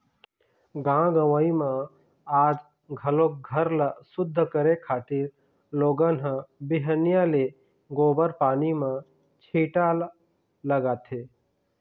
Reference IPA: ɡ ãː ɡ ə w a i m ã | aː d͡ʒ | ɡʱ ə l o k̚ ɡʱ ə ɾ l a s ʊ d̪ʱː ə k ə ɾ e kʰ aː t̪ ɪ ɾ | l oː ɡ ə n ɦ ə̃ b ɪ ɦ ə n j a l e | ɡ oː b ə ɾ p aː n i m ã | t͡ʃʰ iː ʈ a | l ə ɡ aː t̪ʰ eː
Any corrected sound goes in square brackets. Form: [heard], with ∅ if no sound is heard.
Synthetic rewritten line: ɡ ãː ɡ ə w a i m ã | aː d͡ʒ | ɡʱ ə l o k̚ ɡʱ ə ɾ l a s ʊ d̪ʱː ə k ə ɾ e kʰ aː t̪ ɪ ɾ | l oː ɡ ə n ɦ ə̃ b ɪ ɦ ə n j a l e | ɡ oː b ə ɾ p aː n i m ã | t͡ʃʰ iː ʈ a | l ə ɡ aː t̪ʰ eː

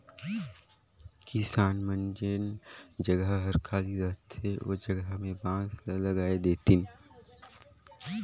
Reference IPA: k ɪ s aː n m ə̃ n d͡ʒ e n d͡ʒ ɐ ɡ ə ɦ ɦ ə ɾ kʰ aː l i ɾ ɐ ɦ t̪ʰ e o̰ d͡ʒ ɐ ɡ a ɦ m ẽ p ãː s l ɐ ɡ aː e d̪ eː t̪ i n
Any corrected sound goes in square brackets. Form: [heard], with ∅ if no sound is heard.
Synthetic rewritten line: k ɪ s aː n m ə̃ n d͡ʒ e n d͡ʒ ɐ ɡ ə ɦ ɦ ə ɾ kʰ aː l i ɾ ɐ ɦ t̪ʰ e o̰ d͡ʒ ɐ ɡ [ə] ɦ m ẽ [b] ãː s l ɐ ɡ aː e d̪ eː t̪ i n

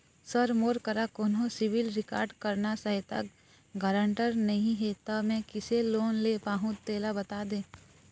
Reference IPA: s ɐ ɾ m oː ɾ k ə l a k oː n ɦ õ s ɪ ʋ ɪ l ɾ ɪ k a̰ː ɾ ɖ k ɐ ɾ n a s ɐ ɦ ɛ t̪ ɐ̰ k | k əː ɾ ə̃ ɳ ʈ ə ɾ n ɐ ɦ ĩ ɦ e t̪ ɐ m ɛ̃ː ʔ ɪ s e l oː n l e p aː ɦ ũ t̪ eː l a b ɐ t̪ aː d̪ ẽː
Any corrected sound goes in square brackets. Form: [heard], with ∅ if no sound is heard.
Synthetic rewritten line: s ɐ ɾ m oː ɾ k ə [ɾ] a k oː n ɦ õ s ɪ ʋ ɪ l ɾ ɪ k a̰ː ɾ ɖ k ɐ ɾ n a s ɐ ɦ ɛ t̪ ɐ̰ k | [ɡ] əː ɾ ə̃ ɳ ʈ ə ɾ n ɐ ɦ ĩ ɦ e t̪ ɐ m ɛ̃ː [k] ɪ s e l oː n l e p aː ɦ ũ t̪ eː l a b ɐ t̪ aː d̪ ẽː

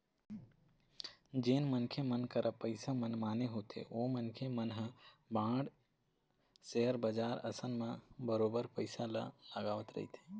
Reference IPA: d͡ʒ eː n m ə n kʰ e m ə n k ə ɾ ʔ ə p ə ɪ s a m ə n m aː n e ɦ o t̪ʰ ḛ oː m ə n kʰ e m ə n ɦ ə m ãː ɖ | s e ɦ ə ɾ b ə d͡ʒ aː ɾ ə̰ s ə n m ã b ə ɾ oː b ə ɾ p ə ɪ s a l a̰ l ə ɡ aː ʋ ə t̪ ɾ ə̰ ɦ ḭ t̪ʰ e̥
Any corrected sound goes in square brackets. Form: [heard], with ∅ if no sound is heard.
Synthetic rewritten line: d͡ʒ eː n m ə n kʰ e m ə n k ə ɾ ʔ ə p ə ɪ s a m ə n m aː n e ɦ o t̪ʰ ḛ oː m ə n kʰ e m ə n ɦ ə [b] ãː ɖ | s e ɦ ə ɾ b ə d͡ʒ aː ɾ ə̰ s ə n m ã b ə ɾ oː b ə ɾ p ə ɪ s a l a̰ l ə ɡ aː ʋ ə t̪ ɾ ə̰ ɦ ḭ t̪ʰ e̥

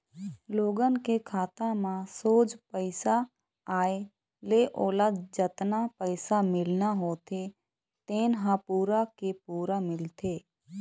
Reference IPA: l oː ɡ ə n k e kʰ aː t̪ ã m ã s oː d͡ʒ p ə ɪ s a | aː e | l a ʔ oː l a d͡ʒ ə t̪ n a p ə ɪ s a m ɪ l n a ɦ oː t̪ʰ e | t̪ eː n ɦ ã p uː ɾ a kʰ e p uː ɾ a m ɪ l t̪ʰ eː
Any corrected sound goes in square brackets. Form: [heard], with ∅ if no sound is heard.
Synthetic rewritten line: l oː ɡ ə n k e kʰ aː t̪ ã m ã s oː d͡ʒ p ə ɪ s a | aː e | l [e] ʔ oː l a d͡ʒ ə t̪ n a p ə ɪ s a m ɪ l n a ɦ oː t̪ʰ e | t̪ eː n ɦ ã p uː ɾ a [k] e p uː ɾ a m ɪ l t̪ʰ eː

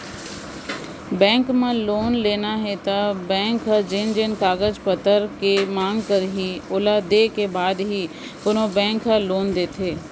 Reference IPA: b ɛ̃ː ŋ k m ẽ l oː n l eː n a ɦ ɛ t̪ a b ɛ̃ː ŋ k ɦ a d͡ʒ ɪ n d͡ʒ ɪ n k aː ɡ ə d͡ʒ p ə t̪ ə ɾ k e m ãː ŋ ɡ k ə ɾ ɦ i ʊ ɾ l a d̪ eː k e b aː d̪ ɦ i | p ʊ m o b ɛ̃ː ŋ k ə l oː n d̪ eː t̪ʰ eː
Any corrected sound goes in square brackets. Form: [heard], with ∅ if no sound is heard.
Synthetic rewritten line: b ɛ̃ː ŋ k m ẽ l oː n l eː n a ɦ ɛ t̪ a b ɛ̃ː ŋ k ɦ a d͡ʒ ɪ n d͡ʒ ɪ n k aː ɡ ə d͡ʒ p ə t̪ ə ɾ k e m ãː ŋ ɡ k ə ɾ ɦ i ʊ [∅] l a d̪ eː k e b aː d̪ ɦ i | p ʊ [n] o b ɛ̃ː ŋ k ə l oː n d̪ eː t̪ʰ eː

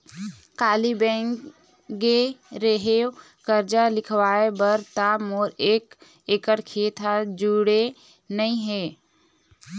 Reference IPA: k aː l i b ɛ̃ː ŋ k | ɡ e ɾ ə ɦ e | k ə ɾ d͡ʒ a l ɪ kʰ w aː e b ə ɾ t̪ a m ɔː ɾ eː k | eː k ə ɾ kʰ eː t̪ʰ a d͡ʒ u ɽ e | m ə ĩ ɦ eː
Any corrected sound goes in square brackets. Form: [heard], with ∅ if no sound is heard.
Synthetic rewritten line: k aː l i b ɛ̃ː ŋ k | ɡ e ɾ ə ɦ e | k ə ɾ d͡ʒ a l ɪ kʰ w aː e b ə ɾ t̪ a m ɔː ɾ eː k | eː k ə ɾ kʰ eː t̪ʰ a d͡ʒ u ɽ e | [n] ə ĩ ɦ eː

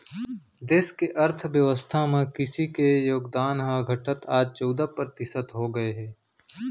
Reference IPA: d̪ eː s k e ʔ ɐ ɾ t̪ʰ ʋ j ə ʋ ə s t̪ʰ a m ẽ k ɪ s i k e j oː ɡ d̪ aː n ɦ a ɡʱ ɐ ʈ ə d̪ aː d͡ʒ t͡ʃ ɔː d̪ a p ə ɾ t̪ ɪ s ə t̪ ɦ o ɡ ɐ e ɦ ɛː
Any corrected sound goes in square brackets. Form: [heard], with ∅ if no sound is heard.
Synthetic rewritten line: d̪ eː s k e ʔ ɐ ɾ t̪ʰ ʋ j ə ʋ ə s t̪ʰ a m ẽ k ɪ s i k e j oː ɡ d̪ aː n ɦ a ɡʱ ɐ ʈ ə [t̪] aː d͡ʒ t͡ʃ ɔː d̪ a p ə ɾ t̪ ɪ s ə t̪ ɦ o ɡ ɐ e ɦ ɛː

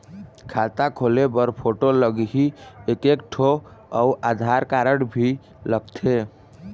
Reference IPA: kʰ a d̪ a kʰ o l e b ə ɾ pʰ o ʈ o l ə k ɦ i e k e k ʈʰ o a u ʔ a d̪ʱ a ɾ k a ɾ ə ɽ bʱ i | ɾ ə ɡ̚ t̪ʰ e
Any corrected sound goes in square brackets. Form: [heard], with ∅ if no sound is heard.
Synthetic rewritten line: kʰ a [t̪] a kʰ o l e b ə ɾ pʰ o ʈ o l ə [ɡ] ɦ i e k e k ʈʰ o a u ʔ a d̪ʱ a ɾ k a ɾ ə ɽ bʱ i | [l] ə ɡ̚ t̪ʰ e

